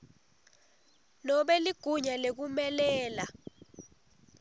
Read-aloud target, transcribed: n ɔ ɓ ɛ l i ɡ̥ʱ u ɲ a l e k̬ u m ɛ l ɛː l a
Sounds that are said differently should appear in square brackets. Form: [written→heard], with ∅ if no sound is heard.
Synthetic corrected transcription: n ɔ ɓ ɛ l i ɡ̥ʱ u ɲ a l e k̬ u m ɛ l ɛː l a